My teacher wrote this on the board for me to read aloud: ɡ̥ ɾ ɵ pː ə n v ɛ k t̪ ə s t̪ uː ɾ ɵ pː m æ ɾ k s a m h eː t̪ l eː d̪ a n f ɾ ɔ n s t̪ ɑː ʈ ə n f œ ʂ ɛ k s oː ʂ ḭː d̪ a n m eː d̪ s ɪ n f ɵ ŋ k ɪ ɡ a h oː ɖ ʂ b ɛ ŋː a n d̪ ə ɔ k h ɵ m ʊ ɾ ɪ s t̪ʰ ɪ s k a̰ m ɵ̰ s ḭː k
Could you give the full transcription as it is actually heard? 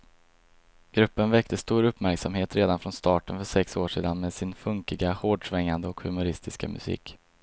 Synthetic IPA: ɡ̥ ɾ ɵ pː ə n v ɛ k t̪ ə s t̪ uː ɾ ɵ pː m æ ɾ k s a m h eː t̪ ɾ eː d̪ a n f ɾ ɔ n s t̪ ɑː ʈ ə n f œ ʂ ɛ k s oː ʂ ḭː d̪ a n m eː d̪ s ɪ n f ɵ ŋ k ɪ ɡ a h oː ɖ ʂ v ɛ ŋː a n d̪ ə ɔ k h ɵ m ʊ ɾ ɪ s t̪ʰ ɪ s k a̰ m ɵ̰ s ḭː k